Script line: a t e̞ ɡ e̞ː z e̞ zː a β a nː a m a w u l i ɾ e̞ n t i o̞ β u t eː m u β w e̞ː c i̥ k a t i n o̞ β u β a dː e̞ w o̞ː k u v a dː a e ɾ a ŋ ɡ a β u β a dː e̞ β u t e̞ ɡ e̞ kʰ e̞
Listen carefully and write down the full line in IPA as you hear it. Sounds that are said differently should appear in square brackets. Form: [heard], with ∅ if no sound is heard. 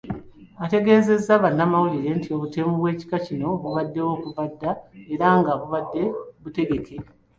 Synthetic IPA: a t e̞ ɡ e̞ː z e̞ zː a β a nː a m a w u l i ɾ e̞ n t i o̞ β u t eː m u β w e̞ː c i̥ k a [c] i n o̞ β u β a dː e̞ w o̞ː k u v a dː a e ɾ a ŋ ɡ a β u β a dː e̞ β u t e̞ ɡ e̞ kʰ e̞